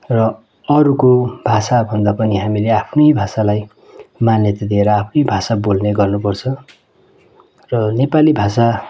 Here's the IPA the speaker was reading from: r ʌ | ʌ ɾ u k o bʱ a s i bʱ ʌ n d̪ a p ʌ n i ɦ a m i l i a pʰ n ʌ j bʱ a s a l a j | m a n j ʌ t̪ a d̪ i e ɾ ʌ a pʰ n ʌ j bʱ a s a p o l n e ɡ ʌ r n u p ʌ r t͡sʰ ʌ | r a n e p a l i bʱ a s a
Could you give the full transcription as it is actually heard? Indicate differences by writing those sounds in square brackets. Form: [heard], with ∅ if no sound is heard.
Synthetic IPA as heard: r ʌ | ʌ ɾ u k o bʱ a s [a] bʱ ʌ n d̪ a p ʌ n i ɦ a m i l [e] a pʰ n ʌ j bʱ a s a l a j | m a n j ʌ t̪ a d̪ i e ɾ ʌ a pʰ n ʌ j bʱ a s a [b] o l n e ɡ ʌ r n u p ʌ r t͡sʰ ʌ | r [ʌ] n e p a l i bʱ a s a